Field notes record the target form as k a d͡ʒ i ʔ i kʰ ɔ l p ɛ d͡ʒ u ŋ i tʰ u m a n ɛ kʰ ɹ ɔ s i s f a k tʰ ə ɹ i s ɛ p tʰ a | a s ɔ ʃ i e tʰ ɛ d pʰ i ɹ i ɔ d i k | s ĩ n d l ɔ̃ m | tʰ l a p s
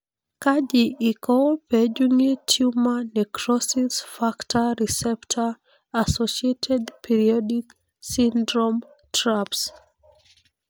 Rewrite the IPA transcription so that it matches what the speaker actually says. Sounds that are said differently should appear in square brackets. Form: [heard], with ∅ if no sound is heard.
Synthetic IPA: k a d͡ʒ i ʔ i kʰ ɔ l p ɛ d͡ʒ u ŋ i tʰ u m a n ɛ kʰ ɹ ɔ s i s f a k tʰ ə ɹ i s ɛ p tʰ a | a s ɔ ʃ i e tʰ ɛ d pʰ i ɹ i ɔ d i k | s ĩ n d [ɹ] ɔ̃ m | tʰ [ɹ] a p s